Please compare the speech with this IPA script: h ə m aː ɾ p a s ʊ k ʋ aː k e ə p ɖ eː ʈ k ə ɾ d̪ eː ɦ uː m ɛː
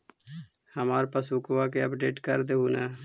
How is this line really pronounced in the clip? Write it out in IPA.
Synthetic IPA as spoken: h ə m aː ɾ p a s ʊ k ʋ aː k e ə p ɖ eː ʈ k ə ɾ d̪ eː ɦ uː n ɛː